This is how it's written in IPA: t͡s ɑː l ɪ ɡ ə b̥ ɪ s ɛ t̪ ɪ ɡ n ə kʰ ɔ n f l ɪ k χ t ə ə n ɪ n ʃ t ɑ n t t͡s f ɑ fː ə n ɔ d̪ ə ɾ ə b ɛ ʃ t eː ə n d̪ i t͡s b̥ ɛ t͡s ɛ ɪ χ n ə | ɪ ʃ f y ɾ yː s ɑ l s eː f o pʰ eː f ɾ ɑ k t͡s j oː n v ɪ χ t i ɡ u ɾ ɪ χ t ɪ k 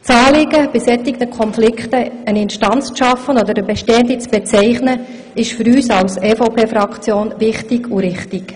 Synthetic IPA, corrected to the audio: t͡s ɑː l ɪ ɡ ə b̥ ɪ s ɛ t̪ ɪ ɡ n ə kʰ ɔ n f l ɪ k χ t ə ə n ɪ n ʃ t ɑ n t͡s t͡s ʃ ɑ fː ə n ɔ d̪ ə ɾ ə b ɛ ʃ t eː ə n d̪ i t͡s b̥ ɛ t͡s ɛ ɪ χ n ə | ɪ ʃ f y ɾ yː s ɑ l s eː f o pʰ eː f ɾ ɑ k t͡s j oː n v ɪ χ t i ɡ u ɾ ɪ χ t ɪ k